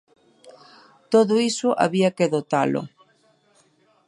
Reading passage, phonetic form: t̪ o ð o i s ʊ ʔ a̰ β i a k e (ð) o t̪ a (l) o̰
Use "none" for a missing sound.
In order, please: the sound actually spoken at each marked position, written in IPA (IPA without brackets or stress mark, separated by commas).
ð, l